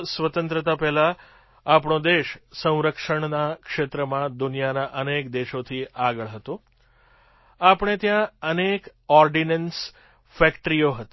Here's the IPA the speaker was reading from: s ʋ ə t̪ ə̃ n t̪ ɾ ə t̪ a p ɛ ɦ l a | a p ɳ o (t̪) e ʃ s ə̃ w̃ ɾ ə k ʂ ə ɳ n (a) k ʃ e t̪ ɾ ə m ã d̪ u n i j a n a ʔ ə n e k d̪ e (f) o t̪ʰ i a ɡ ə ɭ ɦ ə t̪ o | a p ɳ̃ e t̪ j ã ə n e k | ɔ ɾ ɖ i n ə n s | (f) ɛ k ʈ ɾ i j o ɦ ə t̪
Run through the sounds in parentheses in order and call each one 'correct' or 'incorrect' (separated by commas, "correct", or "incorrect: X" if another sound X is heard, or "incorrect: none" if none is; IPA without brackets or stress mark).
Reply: incorrect: d̪, correct, incorrect: ʃ, correct